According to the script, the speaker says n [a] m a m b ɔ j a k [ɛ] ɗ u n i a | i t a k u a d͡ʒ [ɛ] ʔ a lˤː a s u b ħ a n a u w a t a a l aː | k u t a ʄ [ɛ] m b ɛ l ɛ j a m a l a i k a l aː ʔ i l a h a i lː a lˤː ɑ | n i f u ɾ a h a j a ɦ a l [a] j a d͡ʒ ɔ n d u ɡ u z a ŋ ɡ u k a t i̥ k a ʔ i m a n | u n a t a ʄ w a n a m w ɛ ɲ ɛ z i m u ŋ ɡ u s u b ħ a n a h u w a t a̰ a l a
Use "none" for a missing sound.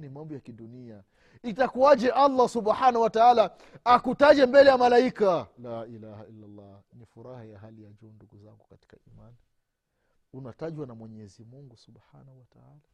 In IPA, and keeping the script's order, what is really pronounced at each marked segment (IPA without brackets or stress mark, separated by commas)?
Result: i, i, ɛ, ɛ, i